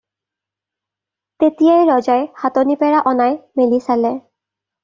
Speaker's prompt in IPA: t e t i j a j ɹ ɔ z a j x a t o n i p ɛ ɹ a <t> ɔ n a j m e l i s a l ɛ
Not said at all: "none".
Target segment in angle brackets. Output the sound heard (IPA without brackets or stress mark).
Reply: ʔ